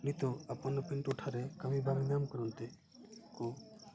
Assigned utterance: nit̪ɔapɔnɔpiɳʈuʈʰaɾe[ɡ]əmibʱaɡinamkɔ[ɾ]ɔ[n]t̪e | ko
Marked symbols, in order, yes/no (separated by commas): no, yes, yes